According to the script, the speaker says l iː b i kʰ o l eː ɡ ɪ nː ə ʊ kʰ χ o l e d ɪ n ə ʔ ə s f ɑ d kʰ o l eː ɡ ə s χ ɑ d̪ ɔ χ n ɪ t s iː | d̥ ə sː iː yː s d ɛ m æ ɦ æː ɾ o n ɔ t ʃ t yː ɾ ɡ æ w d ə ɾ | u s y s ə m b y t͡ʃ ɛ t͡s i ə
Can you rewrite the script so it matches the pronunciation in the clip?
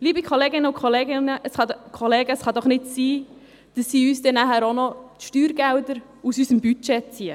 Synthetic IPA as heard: l iː b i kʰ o l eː ɡ ɪ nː ə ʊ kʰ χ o l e ɡ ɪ n ə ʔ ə s χ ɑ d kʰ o l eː ɡ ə s χ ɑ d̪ ɔ χ n ɪ t s iː | d̥ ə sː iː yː s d ɛ n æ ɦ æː ɾ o n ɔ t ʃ t yː ɾ ɡ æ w d ə ɾ | u s y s ə m b y t͡ʃ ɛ t͡s i ə